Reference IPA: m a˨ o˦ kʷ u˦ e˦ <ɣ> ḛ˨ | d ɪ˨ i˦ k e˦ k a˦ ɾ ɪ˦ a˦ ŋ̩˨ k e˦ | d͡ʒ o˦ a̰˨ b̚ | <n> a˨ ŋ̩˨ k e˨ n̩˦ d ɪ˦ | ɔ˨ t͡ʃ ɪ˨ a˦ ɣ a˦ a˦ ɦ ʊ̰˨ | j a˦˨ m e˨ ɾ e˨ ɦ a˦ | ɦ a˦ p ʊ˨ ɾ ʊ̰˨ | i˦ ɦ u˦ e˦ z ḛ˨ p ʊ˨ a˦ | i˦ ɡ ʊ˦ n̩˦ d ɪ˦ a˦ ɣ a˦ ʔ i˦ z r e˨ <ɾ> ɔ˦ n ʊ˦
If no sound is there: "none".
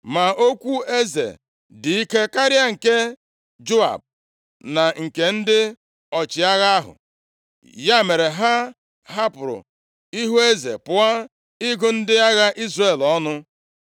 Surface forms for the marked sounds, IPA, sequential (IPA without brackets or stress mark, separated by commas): z, n, l